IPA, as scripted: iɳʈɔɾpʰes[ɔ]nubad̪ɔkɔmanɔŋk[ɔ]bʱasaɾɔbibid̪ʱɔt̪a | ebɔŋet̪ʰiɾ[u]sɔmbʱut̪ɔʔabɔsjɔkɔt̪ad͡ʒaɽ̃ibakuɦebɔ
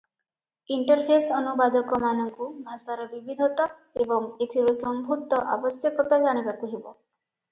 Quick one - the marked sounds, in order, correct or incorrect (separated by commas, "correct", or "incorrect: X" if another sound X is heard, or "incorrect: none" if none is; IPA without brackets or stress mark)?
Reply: correct, incorrect: u, correct